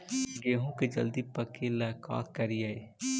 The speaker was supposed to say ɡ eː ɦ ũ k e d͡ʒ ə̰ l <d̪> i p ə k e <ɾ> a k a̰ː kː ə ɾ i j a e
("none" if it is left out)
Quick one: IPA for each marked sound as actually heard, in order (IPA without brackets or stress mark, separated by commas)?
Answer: d̪, l